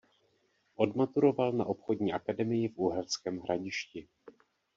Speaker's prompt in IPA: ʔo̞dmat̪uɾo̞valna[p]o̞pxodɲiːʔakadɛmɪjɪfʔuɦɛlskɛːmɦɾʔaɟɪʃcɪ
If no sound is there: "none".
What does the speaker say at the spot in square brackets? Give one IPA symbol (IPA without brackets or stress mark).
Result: ʔ